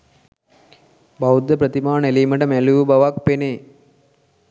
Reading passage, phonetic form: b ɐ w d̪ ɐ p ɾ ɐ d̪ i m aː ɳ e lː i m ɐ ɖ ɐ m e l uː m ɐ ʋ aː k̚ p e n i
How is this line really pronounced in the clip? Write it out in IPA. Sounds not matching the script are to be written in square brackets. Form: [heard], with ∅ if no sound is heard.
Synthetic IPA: b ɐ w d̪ ɐ p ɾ ɐ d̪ i m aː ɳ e [l] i m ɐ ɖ ɐ m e l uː [b] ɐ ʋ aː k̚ p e n [e]